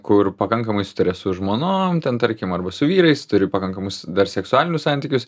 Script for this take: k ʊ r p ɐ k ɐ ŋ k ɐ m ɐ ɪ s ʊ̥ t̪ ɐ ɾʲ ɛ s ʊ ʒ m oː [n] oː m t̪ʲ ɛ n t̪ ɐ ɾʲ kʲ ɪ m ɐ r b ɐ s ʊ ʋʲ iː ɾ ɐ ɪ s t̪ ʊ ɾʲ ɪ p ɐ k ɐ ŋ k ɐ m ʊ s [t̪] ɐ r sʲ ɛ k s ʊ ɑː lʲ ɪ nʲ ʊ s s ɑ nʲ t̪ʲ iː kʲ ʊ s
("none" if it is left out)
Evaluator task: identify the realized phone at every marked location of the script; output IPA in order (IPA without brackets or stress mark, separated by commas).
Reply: n, d̪